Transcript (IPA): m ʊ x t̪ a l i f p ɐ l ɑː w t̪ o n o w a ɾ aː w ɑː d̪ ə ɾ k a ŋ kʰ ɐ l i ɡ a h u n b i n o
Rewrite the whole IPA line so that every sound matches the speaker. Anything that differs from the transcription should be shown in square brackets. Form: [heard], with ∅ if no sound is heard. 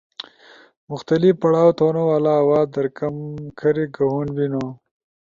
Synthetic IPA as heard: m ʊ x t̪ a l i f p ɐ [ɽ] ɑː w t̪ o n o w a [l] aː w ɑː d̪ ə ɾ k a [m] kʰ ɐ [ɾ] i ɡ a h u n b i n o